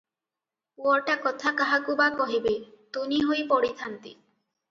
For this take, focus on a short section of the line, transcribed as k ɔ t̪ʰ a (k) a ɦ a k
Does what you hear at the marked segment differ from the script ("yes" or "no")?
no